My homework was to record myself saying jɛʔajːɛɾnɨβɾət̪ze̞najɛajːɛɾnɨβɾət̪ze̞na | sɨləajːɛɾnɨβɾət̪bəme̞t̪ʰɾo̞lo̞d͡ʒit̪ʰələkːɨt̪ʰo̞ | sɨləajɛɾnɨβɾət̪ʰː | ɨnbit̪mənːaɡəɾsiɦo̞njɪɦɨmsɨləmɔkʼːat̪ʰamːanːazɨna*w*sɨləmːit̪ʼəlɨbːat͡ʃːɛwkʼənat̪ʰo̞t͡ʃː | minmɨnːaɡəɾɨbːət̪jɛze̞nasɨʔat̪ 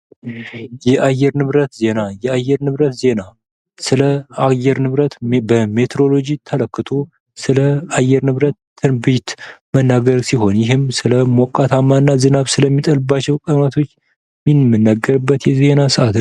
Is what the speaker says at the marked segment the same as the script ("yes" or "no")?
no